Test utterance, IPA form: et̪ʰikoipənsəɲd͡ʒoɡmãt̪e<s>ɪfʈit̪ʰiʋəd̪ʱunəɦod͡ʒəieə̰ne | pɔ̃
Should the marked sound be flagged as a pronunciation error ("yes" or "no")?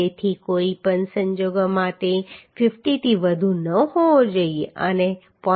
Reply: yes